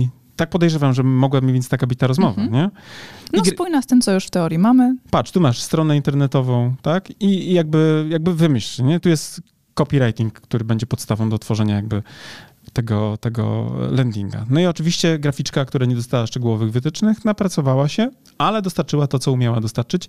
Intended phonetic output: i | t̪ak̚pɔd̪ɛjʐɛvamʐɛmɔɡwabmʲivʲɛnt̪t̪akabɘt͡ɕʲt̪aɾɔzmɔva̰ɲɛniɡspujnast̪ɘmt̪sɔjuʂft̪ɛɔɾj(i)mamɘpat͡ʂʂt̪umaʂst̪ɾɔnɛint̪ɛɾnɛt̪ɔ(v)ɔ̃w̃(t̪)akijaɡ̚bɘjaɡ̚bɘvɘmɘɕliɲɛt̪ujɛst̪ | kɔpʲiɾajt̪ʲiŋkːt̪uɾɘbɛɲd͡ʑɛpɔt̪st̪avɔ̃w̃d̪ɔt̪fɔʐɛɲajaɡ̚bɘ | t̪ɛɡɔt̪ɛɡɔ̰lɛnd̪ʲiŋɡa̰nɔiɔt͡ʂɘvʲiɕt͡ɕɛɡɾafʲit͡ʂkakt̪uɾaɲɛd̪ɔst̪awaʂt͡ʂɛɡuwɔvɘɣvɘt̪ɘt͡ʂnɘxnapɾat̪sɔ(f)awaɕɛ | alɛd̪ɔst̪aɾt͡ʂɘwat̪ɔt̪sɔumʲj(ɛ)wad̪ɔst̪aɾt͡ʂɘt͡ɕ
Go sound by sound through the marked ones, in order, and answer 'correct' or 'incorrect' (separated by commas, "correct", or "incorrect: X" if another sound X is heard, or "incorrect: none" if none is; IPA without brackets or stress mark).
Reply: correct, correct, correct, incorrect: v, incorrect: a